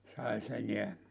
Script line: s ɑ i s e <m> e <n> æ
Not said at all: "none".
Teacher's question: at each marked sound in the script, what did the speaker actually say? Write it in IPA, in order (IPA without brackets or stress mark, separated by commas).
n, none